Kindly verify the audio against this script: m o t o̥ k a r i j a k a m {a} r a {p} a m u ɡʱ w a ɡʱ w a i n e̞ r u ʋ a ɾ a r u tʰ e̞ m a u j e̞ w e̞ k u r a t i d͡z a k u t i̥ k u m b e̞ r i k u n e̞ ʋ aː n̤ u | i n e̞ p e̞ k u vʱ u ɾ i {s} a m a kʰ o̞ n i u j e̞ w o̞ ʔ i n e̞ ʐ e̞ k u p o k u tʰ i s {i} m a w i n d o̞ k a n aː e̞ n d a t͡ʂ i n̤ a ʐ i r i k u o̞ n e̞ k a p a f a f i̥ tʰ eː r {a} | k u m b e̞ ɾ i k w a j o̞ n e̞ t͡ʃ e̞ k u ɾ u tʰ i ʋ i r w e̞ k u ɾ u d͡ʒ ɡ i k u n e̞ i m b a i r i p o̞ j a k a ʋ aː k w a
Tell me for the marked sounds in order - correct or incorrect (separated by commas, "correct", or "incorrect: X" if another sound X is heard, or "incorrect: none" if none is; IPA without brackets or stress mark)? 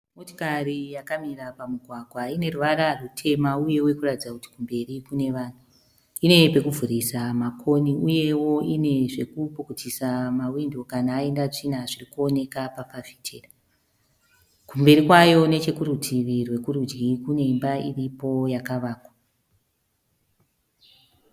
incorrect: i, correct, correct, incorrect: a, correct